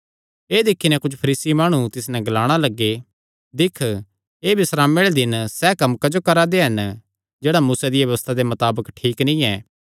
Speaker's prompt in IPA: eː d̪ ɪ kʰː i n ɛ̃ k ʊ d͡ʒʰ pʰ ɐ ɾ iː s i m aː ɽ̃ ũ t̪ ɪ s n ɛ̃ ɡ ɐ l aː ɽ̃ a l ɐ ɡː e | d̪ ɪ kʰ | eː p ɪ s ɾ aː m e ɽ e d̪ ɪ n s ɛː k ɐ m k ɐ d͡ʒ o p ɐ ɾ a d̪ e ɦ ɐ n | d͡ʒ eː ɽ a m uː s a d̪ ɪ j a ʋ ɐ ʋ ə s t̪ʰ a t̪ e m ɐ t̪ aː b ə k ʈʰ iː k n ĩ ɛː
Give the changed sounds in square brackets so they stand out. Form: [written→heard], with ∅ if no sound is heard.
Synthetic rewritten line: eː d̪ ɪ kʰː i n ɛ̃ k ʊ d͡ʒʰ pʰ ɐ ɾ iː s i m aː ɽ̃ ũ t̪ ɪ s n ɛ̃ ɡ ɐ l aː ɽ̃ a l ɐ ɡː e | d̪ ɪ kʰ | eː [p→b] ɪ s ɾ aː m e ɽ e d̪ ɪ n s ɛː k ɐ m k ɐ d͡ʒ o [p→k] ɐ ɾ a d̪ e ɦ ɐ n | d͡ʒ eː ɽ a m uː s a d̪ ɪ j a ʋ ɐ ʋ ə s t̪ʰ a [t̪→d̪] e m ɐ t̪ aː b ə k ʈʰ iː k n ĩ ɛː

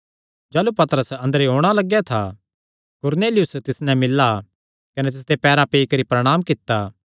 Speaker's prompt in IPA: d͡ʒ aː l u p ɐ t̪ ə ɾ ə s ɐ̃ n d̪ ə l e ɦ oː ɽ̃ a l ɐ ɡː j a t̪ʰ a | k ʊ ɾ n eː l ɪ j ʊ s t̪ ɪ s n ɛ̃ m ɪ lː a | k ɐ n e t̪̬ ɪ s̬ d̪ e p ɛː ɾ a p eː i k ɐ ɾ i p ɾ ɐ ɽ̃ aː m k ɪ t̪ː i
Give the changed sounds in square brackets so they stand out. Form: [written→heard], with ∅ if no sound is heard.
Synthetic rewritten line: d͡ʒ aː l u p ɐ t̪ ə ɾ ə s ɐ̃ n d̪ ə [l→ɾ] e ɦ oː ɽ̃ a l ɐ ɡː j a t̪ʰ a | k ʊ ɾ n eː l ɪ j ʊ s t̪ ɪ s n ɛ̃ m ɪ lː a | k ɐ n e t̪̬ ɪ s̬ d̪ e p ɛː ɾ a p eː i k ɐ ɾ i p ɾ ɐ ɽ̃ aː m k ɪ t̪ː [i→a]

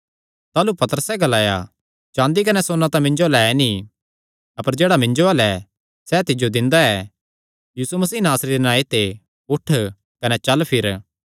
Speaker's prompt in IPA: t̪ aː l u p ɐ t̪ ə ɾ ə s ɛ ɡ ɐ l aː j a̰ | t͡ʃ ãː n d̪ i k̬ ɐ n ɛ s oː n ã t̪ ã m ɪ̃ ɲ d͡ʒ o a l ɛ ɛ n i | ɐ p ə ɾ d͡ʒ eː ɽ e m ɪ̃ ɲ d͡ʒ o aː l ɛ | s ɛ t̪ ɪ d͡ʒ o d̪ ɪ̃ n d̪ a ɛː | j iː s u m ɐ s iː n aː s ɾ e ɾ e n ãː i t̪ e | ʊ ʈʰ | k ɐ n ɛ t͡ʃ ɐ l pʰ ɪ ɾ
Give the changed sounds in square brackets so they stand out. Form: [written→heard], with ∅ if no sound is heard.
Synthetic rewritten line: t̪ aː l u p ɐ t̪ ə ɾ ə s ɛ ɡ ɐ l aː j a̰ | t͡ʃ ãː n d̪ i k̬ ɐ n ɛ s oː n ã t̪ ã m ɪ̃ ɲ d͡ʒ o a l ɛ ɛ n i | ɐ p ə ɾ d͡ʒ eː ɽ [e→a] m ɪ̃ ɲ d͡ʒ o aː l ɛ | s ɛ t̪ ɪ d͡ʒ o d̪ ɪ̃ n d̪ a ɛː | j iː s u m ɐ s iː n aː s ɾ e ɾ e n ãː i t̪ e | ʊ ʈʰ | k ɐ n ɛ t͡ʃ ɐ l pʰ ɪ ɾ

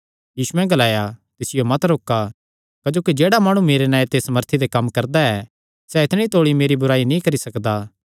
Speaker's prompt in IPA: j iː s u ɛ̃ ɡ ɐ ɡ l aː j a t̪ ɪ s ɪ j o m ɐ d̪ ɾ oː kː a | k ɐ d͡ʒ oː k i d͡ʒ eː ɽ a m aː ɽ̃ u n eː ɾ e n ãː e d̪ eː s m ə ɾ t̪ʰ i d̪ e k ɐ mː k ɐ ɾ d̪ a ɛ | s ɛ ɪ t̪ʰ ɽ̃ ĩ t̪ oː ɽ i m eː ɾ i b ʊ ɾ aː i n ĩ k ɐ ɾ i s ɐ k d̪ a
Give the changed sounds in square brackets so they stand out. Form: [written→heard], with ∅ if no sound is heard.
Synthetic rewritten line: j iː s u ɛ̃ ɡ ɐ [ɡ→∅] l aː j a t̪ ɪ s ɪ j o m ɐ [d̪→t̪] ɾ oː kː a | k ɐ d͡ʒ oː k i d͡ʒ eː ɽ a m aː ɽ̃ u [n→m] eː ɾ e n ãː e [d̪→t̪] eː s m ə ɾ t̪ʰ i d̪ e k ɐ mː k ɐ ɾ d̪ a ɛ | s ɛ ɪ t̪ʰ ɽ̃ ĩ t̪ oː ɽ i m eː ɾ i b ʊ ɾ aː i n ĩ k ɐ ɾ i s ɐ k d̪ a

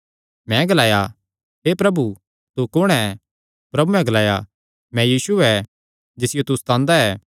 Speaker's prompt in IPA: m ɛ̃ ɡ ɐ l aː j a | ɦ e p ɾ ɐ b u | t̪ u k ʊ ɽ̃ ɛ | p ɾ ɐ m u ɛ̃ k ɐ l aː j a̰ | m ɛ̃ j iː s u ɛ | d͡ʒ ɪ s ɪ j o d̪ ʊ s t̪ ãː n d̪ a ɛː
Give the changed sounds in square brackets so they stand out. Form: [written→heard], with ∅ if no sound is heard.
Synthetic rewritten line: m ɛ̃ ɡ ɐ l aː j a | ɦ e p ɾ ɐ b u | t̪ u k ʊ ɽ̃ ɛ | p ɾ ɐ [m→b] u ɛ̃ [k→ɡ] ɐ l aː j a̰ | m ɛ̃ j iː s u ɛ | d͡ʒ ɪ s ɪ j o [d̪→t̪] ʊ s t̪ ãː n d̪ a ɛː

